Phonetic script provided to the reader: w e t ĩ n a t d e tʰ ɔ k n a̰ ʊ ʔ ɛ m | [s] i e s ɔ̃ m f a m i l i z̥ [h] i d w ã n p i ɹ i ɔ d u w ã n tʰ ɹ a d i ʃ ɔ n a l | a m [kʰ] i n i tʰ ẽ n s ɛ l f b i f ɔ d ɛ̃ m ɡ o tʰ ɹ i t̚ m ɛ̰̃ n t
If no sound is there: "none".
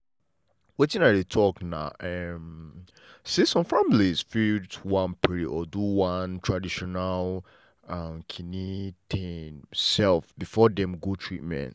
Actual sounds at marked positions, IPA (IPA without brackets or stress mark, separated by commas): s, f, kʰ